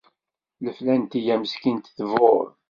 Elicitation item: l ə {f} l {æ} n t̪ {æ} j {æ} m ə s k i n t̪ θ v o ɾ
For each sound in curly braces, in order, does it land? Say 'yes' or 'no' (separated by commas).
yes, yes, no, yes